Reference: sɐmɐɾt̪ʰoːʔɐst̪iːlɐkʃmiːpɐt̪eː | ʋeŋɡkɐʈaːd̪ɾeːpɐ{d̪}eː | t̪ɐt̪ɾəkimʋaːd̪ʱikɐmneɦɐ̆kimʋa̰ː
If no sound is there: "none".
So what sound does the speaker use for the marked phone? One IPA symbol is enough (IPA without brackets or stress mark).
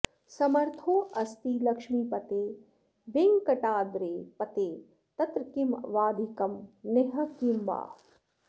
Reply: t̪